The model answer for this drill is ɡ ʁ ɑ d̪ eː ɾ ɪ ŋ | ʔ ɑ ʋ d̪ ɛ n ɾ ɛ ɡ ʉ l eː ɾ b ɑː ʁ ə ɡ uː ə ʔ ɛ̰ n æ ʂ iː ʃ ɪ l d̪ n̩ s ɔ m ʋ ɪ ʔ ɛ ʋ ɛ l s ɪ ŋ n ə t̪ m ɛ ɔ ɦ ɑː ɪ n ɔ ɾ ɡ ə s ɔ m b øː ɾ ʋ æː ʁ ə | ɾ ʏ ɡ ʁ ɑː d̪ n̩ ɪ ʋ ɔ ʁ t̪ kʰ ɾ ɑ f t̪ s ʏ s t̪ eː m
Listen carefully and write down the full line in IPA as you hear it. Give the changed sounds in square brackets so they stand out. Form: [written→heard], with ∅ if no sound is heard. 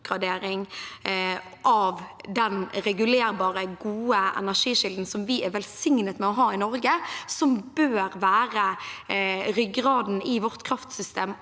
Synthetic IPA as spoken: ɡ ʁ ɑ d̪ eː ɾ ɪ ŋ | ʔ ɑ ʋ d̪ ɛ n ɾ ɛ ɡ ʉ l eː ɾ b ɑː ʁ ə ɡ uː ə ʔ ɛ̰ n æ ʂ iː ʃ ɪ l d̪ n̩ s ɔ m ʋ ɪ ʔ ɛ ʋ ɛ l s ɪ ŋ n ə t̪ m ɛ ɔ ɦ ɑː ɪ n ɔ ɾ ɡ ə s ɔ m b øː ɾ ʋ æː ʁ ə | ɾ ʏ ɡ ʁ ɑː d̪ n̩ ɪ ʋ ɔ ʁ t̪ kʰ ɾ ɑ f t̪ s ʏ s t̪ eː m